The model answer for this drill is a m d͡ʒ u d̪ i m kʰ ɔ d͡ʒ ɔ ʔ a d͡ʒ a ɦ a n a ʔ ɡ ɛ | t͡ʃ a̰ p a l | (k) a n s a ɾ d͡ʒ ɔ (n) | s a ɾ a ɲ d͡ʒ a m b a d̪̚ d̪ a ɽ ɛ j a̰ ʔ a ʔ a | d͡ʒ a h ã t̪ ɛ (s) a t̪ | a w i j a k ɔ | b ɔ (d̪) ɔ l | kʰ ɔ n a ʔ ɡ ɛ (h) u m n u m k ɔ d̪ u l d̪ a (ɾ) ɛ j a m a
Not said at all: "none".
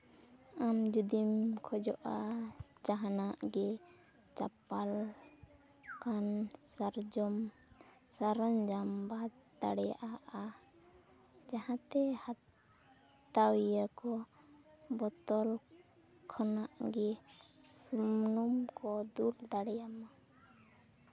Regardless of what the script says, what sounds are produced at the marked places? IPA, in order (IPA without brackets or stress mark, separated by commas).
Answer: k, m, h, t̪, s, ɽ